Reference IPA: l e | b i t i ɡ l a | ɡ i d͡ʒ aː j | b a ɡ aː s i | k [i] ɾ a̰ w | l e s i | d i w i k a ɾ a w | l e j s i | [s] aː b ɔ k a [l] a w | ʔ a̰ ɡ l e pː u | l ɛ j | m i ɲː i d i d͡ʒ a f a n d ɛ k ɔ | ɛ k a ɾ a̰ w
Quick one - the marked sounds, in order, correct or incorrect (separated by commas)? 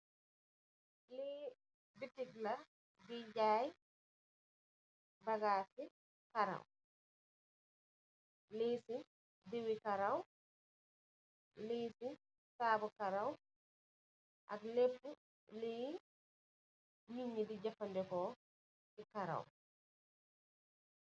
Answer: incorrect, correct, incorrect